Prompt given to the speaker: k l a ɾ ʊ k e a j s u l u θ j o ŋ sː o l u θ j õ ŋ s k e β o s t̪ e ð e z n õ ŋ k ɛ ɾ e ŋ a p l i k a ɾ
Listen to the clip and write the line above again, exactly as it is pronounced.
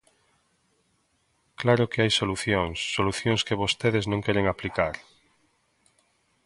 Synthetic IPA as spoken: k l a ɾ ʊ k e a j s o l u θ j o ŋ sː o l u θ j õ ŋ s k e β o s t̪ e ð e z n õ ŋ k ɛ ɾ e ŋ a p l i k a ɾ